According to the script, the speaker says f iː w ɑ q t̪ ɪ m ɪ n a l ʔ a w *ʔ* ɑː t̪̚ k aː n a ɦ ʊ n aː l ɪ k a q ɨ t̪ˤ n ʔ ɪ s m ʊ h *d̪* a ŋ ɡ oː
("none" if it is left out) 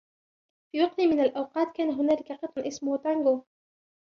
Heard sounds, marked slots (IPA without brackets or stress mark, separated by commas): q, t̪